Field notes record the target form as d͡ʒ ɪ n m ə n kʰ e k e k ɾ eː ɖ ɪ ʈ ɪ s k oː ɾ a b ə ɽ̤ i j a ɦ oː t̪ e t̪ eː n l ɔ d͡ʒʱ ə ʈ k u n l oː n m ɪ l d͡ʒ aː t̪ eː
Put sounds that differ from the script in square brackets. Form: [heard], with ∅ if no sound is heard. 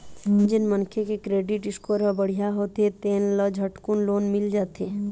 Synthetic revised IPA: d͡ʒ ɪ n m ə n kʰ e k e k ɾ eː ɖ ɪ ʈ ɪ s k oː ɾ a b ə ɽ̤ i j a ɦ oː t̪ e t̪ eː n l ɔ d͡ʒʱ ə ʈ k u n l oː n m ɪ l d͡ʒ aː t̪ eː